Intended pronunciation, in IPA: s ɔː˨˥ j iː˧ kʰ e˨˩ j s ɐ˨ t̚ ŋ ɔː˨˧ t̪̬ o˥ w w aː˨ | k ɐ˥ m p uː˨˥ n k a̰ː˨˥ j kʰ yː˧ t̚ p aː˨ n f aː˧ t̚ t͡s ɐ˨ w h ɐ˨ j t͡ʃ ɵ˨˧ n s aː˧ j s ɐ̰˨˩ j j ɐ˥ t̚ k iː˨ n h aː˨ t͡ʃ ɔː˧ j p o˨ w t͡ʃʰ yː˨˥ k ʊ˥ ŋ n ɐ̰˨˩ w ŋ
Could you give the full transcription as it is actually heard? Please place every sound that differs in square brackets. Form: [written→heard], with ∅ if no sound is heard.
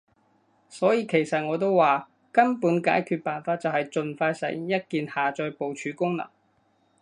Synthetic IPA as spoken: s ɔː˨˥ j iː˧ kʰ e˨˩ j s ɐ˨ t̚ ŋ ɔː˨˧ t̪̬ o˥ w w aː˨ | k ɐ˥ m p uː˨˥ n k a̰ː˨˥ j kʰ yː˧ t̚ p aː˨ n f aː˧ t̚ t͡s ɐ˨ w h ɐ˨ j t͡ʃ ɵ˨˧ n [s→f] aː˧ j s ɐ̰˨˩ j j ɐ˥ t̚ k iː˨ n h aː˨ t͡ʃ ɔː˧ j p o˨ w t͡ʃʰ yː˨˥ k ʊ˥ ŋ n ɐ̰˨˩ [w→∅] ŋ